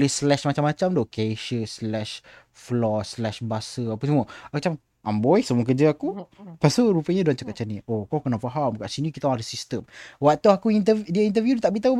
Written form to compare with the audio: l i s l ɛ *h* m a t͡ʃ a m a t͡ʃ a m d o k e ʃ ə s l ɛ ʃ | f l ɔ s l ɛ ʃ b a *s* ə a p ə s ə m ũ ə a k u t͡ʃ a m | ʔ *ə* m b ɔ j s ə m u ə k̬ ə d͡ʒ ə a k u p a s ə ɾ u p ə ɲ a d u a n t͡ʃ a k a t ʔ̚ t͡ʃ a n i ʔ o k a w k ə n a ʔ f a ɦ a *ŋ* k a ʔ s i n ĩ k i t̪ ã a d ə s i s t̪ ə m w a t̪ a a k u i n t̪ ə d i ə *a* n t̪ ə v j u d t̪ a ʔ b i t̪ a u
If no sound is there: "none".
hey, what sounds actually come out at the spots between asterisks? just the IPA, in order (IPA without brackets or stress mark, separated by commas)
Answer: ʃ, s, a, m, i